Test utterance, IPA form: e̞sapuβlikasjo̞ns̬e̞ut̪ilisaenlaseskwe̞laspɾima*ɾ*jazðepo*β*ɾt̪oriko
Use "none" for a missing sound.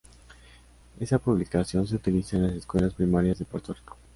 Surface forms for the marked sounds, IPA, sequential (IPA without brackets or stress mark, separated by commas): ɾ, none